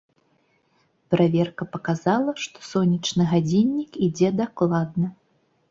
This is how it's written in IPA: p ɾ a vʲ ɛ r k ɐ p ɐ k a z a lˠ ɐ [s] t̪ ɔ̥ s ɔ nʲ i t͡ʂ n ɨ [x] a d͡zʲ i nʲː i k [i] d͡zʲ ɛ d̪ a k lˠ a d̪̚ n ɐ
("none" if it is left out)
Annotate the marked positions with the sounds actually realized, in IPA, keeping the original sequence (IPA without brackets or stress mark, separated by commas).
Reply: ʂ, ɣ, i